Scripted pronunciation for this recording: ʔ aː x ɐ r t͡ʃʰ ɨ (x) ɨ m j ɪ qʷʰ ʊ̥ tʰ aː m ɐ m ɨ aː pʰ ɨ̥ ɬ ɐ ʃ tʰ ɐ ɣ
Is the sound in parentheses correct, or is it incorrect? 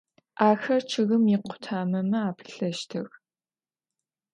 incorrect